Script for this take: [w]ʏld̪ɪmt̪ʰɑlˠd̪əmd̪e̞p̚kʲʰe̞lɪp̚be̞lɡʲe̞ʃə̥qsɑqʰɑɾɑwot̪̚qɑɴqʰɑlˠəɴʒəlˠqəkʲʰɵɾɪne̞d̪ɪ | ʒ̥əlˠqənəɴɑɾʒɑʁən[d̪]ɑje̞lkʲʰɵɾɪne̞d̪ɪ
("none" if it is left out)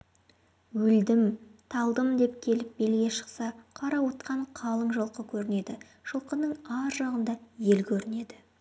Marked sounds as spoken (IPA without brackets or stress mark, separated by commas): w, d̪